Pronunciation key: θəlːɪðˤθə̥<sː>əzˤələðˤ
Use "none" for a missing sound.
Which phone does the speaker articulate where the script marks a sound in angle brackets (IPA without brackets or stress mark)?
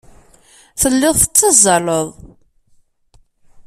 t͡sː